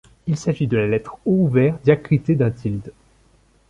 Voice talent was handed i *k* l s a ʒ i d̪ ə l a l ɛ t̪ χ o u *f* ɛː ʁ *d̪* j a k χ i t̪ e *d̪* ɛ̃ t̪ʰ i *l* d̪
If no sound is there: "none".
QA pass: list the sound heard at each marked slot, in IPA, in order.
none, v, d̪, d̪, l

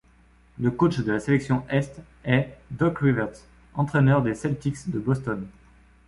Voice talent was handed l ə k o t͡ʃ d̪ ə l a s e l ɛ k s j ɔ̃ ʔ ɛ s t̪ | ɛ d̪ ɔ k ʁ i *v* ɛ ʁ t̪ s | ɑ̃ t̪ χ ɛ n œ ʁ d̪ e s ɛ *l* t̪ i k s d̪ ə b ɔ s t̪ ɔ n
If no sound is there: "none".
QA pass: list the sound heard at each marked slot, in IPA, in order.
v, l

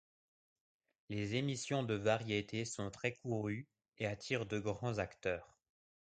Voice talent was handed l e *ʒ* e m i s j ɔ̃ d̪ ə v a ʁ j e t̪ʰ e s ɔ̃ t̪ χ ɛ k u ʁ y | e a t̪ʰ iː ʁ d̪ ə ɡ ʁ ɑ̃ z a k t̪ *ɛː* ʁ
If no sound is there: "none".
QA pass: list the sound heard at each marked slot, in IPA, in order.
z, œː

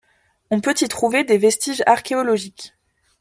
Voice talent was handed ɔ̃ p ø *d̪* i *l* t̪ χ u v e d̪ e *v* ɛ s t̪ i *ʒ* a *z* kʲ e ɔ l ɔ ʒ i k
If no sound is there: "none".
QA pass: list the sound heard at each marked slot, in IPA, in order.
t̪, none, v, ʒ, ʁ

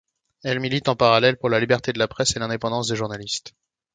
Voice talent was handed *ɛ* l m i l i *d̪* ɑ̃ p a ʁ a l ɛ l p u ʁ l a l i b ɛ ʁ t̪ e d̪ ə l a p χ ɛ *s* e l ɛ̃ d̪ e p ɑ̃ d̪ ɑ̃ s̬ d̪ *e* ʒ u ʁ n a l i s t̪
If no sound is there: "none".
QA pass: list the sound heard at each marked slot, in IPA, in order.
ɛ, t̪, s, e

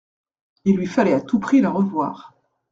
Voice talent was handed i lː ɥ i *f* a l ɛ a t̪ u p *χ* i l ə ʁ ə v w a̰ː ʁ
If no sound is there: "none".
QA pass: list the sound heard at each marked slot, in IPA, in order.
f, χ

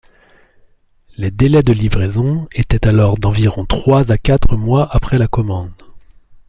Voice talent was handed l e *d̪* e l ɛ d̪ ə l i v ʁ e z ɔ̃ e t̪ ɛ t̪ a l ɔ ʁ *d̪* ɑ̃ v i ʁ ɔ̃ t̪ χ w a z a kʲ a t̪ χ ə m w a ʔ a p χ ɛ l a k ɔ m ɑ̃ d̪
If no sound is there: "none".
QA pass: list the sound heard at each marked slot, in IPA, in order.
d̪, d̪

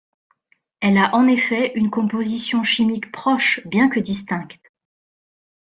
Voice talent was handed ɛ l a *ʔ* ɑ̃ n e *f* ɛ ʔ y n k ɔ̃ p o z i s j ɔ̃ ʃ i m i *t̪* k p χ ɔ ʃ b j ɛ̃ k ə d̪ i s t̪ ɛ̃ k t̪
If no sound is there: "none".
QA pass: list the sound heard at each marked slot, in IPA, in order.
ʔ, f, none

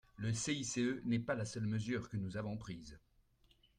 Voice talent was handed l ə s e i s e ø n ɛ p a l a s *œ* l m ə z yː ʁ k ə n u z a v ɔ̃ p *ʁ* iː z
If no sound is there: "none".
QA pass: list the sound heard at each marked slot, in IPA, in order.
œ, χ

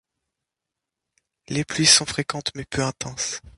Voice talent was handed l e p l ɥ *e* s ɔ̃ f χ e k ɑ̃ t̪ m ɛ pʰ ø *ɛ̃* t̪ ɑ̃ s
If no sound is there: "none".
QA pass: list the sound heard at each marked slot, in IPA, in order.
i, ɛ̃

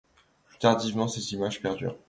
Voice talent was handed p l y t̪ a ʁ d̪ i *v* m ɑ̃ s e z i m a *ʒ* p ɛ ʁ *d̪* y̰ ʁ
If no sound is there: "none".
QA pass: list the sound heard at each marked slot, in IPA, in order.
v, ʒ, d̪

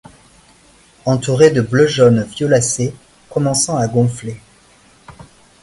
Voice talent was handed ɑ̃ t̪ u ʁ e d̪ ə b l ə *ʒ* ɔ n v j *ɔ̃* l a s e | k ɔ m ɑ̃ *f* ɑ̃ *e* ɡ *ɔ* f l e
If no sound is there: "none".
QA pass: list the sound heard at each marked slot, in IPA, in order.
ʒ, ɔ, s, a, ɔ̃

